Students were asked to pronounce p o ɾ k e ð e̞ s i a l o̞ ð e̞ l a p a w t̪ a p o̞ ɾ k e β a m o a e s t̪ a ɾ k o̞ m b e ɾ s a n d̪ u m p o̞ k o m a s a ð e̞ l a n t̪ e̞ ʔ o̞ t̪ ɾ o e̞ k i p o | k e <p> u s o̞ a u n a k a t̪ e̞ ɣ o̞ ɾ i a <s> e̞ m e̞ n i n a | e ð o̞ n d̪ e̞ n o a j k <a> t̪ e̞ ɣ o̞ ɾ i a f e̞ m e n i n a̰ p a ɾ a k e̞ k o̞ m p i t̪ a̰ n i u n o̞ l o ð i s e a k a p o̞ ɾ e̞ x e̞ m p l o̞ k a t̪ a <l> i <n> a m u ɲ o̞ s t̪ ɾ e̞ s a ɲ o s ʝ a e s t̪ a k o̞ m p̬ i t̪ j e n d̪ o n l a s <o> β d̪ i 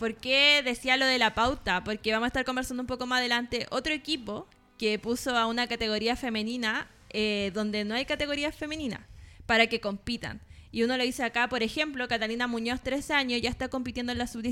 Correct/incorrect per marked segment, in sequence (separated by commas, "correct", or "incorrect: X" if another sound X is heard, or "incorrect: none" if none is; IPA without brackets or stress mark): correct, incorrect: f, correct, correct, correct, incorrect: u